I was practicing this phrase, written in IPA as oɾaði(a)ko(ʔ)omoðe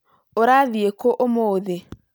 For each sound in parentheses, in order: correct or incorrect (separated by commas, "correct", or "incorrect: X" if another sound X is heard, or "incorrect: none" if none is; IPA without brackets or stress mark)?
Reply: incorrect: e, correct